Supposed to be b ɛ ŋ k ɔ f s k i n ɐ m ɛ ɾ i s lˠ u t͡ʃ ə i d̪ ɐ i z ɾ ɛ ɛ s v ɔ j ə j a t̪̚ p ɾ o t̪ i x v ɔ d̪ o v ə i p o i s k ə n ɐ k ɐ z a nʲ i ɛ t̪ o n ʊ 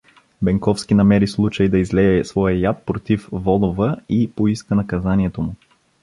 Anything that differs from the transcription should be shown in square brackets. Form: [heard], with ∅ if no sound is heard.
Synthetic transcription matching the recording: b ɛ ŋ k ɔ f s k i n ɐ m ɛ ɾ i s lˠ u t͡ʃ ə [j] d̪ ɐ i z [l] ɛ ɛ s v ɔ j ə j a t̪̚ p ɾ o t̪ i [f] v ɔ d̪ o v ə i p o i s k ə n ɐ k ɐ z a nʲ i ɛ t̪ o [m] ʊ